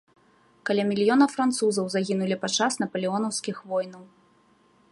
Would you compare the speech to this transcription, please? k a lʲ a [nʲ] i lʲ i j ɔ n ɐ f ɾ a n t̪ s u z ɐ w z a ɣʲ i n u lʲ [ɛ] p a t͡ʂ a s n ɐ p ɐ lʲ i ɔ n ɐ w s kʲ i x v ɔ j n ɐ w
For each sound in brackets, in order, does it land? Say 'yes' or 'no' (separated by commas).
no, no